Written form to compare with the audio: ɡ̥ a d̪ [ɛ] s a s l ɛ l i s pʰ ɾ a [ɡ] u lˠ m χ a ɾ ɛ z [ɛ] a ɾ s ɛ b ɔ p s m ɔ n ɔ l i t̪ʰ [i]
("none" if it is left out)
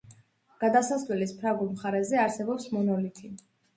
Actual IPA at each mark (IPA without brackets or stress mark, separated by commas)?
a, ɡ, ɛ, i